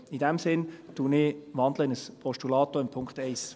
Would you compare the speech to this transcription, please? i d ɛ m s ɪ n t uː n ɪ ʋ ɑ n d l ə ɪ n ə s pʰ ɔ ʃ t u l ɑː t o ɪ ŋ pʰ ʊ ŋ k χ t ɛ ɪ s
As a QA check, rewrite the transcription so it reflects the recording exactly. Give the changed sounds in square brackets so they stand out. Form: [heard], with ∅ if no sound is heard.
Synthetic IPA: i d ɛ m s ɪ n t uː n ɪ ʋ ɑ n d l ə ɪ n ə s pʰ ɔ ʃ t u l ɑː t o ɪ [m] pʰ ʊ ŋ k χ t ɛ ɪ s